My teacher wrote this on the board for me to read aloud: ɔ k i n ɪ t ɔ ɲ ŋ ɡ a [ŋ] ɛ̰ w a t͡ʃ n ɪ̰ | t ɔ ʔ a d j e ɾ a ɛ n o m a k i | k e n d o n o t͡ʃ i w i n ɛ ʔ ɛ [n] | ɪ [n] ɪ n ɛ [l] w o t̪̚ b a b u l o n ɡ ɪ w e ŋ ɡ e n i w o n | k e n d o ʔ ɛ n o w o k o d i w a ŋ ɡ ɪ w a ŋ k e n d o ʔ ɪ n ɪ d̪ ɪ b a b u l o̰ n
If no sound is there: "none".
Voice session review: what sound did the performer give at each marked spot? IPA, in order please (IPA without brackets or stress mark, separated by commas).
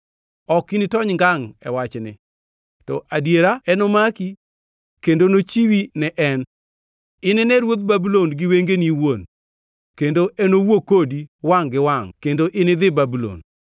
ŋ, n, n, ɾ